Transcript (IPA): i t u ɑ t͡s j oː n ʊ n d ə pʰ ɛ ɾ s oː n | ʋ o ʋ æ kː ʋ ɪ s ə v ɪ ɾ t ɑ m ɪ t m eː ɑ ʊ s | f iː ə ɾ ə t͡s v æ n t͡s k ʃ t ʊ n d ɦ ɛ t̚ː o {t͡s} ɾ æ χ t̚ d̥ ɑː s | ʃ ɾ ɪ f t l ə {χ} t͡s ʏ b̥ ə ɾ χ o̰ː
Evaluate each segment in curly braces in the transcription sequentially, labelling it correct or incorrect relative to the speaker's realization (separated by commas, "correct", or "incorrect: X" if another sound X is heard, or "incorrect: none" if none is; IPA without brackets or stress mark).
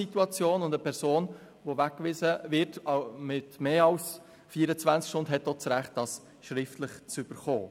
correct, correct